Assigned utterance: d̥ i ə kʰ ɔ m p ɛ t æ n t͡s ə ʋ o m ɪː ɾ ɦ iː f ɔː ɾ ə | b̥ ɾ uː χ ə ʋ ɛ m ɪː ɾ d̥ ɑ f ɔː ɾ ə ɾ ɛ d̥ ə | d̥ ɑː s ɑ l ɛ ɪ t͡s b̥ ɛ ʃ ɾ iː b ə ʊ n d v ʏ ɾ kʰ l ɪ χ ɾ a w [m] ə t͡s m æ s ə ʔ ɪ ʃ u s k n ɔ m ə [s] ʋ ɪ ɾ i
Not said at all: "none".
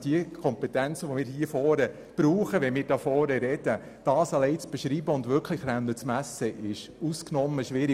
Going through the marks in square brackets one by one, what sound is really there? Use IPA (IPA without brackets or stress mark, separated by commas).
n, ʃ